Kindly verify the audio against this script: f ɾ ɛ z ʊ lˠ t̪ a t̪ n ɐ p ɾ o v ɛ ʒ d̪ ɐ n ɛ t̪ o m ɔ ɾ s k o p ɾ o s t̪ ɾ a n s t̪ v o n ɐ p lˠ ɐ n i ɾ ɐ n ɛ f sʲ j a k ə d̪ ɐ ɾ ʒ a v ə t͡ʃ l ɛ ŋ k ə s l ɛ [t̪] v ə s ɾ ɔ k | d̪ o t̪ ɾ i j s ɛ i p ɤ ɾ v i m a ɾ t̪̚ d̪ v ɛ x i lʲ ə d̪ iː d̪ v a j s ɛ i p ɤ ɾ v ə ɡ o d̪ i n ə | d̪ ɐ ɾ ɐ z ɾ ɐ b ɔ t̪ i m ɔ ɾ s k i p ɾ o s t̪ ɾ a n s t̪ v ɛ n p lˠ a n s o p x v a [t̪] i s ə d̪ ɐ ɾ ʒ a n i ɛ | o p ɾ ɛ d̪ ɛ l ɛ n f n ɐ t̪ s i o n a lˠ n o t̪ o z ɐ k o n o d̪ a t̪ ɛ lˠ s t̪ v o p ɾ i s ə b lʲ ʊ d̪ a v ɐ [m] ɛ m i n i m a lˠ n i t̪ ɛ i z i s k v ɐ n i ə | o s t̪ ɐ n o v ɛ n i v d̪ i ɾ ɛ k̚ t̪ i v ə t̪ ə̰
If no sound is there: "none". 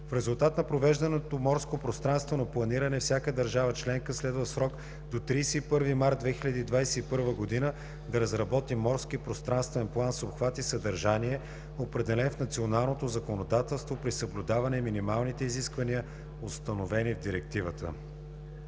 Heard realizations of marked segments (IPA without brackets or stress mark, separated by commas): d̪, t̪, n